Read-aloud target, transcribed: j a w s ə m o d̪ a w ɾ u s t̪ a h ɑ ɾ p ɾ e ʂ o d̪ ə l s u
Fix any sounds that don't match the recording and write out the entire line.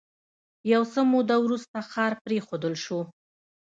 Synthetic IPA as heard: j a w s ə m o d̪ a w ɾ u s t̪ a x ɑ ɾ p ɾ e x o d̪ ə l ʃ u